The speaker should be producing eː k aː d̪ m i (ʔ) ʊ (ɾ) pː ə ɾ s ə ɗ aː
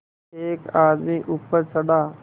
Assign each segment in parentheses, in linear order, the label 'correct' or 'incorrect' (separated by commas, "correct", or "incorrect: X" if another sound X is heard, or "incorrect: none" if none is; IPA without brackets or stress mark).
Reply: correct, incorrect: none